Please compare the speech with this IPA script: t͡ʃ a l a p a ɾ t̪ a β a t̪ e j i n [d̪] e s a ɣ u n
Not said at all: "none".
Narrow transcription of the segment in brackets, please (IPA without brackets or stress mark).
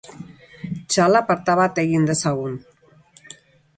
d̪